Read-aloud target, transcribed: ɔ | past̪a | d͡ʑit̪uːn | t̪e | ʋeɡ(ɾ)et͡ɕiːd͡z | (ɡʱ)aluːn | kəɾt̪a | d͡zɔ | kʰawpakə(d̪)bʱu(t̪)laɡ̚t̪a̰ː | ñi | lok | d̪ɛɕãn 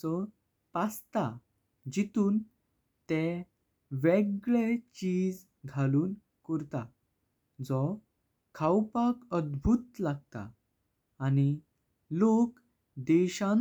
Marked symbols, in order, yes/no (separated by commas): no, yes, yes, yes